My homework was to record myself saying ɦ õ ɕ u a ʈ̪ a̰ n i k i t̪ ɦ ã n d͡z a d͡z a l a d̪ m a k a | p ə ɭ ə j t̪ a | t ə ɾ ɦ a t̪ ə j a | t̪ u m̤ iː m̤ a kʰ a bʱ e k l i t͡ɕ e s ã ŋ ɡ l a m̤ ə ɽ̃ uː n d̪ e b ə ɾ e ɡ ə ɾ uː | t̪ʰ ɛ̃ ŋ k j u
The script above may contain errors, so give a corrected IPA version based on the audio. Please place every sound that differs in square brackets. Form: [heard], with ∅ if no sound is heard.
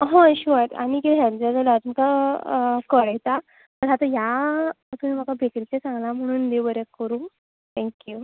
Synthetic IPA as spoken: ɦ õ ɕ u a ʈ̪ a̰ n i k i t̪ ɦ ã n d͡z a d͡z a l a [t̪] m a k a | [k] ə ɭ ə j t̪ a | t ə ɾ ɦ a t̪ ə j a | t̪ u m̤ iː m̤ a [k] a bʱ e k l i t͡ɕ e s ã ŋ ɡ l a m̤ ə ɽ̃ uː n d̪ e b ə ɾ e [k] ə ɾ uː | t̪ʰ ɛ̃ ŋ k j u